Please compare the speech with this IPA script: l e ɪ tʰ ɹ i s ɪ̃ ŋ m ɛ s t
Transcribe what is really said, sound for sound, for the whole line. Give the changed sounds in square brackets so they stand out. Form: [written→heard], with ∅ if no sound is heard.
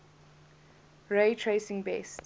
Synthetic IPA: [l→ɹ] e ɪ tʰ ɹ [i→e] s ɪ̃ ŋ [m→b] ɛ s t